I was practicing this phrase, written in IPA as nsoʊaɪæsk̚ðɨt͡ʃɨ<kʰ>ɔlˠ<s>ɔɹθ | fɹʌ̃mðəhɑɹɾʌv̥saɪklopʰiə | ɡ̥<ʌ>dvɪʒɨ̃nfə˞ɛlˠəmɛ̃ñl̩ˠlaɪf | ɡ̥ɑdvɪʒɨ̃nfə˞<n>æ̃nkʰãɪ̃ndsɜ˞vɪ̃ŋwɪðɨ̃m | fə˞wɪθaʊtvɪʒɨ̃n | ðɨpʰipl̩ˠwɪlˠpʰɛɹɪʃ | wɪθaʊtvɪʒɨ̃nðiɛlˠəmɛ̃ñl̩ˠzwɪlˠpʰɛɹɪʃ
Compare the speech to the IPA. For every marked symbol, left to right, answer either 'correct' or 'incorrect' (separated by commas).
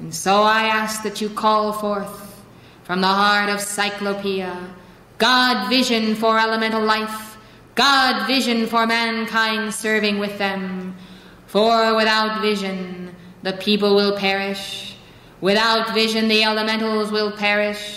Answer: correct, incorrect, incorrect, incorrect